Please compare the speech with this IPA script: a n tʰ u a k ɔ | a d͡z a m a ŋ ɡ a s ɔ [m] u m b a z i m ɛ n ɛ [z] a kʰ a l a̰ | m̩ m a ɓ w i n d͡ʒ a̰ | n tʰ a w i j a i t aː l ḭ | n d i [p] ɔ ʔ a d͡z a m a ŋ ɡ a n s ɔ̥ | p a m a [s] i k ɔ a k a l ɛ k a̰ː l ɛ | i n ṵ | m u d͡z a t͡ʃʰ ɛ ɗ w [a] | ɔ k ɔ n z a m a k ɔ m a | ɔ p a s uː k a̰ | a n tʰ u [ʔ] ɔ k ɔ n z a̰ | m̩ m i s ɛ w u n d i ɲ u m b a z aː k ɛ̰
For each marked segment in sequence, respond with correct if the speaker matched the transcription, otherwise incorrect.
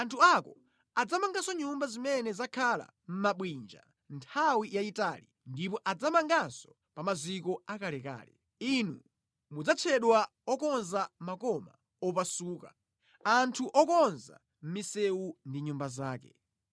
incorrect, correct, correct, incorrect, correct, correct

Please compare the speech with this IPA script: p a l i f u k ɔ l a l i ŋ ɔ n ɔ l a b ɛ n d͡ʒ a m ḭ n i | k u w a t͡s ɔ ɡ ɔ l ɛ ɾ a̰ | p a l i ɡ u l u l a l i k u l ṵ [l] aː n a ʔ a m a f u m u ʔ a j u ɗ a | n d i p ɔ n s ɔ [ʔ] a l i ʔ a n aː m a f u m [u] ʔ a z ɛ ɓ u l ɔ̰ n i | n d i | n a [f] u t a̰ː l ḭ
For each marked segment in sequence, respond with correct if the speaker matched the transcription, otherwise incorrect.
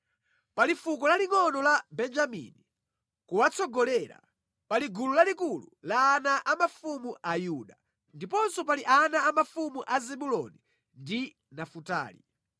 correct, incorrect, correct, correct

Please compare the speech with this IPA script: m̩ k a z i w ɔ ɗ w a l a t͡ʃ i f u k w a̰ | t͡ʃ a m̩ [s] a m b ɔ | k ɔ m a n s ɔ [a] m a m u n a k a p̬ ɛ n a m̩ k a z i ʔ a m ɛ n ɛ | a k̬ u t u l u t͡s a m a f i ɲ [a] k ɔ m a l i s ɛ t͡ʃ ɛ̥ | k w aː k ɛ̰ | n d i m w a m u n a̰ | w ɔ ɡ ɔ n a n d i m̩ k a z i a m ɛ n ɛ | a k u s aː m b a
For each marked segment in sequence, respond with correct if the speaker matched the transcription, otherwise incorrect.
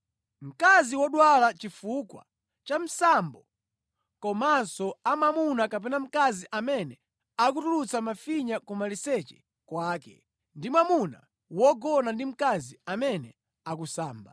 correct, correct, correct

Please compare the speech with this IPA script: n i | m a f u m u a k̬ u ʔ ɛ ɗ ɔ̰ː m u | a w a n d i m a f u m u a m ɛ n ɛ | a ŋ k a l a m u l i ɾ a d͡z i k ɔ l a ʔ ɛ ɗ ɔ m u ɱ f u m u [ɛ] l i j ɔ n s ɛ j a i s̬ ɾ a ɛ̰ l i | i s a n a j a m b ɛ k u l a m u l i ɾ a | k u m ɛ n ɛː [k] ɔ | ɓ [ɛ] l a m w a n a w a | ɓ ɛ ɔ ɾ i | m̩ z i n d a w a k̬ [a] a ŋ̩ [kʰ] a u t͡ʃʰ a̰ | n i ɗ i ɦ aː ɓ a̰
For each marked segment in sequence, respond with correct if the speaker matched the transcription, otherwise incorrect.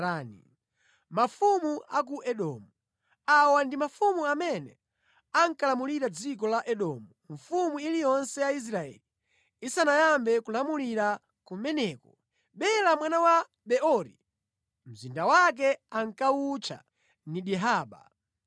incorrect, correct, correct, incorrect, incorrect

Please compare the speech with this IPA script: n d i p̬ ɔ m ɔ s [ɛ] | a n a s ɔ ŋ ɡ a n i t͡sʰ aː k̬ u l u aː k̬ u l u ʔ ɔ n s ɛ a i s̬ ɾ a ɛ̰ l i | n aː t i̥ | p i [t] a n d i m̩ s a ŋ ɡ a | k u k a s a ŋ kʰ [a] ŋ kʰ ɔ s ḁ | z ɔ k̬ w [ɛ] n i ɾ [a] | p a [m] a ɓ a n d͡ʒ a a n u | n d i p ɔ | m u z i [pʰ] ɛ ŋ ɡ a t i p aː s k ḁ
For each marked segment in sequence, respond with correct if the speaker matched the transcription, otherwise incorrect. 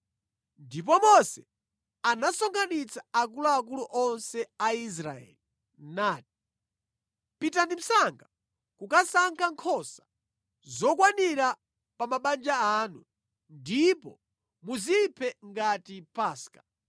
correct, correct, correct, incorrect, correct, correct, correct

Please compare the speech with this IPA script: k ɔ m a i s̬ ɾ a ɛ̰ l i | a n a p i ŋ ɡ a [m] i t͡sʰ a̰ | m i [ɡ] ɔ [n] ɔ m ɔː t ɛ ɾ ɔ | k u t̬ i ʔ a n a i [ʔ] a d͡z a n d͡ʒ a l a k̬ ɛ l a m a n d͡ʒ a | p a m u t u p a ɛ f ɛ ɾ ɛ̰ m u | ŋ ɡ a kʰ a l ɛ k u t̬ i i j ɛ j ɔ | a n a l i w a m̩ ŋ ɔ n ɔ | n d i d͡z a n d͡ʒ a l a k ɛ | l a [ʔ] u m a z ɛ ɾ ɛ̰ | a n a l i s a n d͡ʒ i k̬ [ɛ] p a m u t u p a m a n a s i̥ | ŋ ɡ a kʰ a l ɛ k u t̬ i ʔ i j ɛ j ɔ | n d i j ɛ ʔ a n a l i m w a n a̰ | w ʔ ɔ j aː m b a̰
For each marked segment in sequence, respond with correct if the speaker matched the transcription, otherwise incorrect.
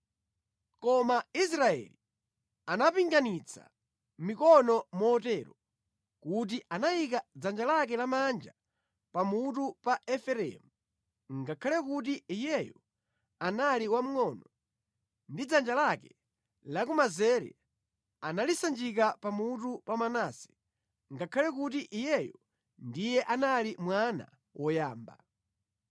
incorrect, incorrect, correct, incorrect, incorrect, incorrect

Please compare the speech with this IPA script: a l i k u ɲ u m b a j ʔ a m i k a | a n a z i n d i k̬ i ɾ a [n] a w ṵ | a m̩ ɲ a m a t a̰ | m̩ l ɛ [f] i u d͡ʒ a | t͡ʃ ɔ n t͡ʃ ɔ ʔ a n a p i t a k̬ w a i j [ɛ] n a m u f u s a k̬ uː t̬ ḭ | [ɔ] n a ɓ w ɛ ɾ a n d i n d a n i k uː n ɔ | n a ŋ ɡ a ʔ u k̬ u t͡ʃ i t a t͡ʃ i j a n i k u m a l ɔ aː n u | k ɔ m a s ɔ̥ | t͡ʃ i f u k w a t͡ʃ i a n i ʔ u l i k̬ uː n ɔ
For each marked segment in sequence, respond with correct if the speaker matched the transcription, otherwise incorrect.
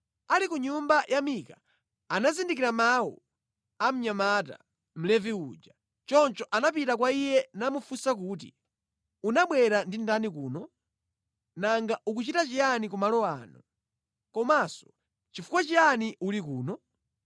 incorrect, incorrect, correct, incorrect

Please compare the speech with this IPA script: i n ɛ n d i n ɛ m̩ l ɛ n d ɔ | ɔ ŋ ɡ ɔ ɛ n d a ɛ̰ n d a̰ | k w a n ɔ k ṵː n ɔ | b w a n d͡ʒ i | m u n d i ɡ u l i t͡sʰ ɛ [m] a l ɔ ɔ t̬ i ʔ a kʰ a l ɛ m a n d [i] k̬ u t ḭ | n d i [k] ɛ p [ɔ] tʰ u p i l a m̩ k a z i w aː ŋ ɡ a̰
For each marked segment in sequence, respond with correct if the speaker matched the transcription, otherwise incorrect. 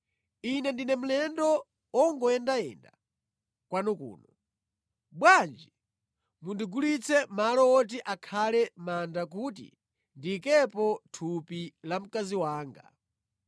correct, incorrect, correct, correct

